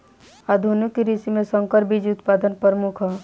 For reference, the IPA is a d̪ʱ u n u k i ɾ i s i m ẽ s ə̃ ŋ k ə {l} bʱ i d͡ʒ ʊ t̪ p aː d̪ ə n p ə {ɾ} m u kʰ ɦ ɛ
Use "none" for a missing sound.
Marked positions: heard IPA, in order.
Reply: ɾ, ɾ

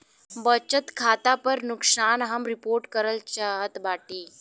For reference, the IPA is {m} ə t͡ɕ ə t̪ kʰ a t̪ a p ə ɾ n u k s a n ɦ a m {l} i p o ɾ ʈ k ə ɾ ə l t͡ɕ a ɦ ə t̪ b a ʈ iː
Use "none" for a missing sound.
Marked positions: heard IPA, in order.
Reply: b, ɾ

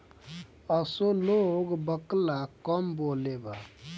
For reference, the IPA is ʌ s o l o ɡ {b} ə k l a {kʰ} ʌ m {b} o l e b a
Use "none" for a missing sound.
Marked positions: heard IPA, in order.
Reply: b, k, b

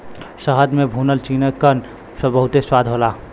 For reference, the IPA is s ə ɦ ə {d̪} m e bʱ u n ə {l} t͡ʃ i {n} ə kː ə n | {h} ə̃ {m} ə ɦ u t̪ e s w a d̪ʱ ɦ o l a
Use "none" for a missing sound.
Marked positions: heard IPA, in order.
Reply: d̪, l, n, s, b

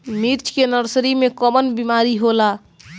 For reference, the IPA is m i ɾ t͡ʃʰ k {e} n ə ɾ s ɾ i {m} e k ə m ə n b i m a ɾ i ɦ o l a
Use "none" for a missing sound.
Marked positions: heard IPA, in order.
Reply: e, m

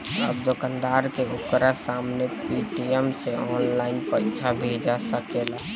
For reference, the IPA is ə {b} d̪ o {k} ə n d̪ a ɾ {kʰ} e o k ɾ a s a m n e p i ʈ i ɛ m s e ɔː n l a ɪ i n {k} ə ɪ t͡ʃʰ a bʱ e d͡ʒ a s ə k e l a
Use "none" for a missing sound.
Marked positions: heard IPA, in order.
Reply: b, k, k, p

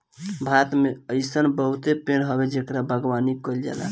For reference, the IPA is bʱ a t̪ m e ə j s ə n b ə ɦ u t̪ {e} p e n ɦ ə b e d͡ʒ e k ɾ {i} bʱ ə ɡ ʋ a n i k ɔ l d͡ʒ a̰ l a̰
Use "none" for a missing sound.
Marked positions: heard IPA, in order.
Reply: e, a

